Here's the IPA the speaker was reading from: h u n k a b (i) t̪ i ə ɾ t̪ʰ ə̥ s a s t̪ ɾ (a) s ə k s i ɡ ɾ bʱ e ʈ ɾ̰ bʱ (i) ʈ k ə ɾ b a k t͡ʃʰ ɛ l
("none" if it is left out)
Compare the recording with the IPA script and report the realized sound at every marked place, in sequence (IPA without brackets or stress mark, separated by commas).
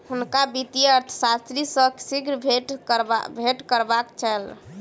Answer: i, i, e